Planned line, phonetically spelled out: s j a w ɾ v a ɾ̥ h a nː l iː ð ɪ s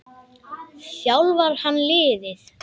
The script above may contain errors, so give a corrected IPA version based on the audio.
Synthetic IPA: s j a w l v a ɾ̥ h a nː l ɪː ð ɪ θ

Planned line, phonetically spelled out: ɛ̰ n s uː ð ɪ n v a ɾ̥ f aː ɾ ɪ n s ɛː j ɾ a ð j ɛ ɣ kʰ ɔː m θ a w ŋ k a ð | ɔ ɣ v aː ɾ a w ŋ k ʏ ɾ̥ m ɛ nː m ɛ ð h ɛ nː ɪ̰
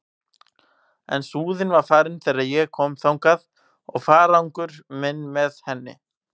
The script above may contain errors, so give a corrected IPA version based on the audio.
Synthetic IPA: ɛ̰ n s uː ð ɪ n v a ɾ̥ f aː ɾ ɪ n θ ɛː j ɾ a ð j ɛ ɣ kʰ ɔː m θ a w ŋ k a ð | ɔ ɣ f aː ɾ a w ŋ k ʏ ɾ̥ m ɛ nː m ɛ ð h ɛ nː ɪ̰

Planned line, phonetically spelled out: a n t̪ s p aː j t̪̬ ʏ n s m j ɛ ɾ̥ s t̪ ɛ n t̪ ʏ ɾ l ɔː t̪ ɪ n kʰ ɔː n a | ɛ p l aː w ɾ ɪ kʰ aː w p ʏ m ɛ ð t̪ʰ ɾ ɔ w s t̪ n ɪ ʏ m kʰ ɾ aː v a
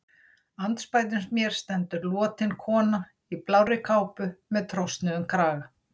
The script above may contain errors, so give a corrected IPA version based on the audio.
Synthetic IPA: a n t̪ s p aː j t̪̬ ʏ n s m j ɛ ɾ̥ s t̪ ɛ n t̪ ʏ ɾ l ɔː t̪ ɪ n kʰ ɔː n a | i p l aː w ɾ ɪ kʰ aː w p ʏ m ɛ ð t̪ʰ ɾ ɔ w s t̪ n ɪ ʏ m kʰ ɾ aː ɣ a

